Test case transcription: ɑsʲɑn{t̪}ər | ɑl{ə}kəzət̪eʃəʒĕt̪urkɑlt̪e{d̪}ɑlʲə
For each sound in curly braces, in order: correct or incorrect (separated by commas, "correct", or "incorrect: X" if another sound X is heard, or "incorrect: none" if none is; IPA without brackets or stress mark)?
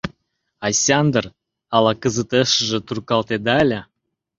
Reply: incorrect: d̪, incorrect: ɑ, correct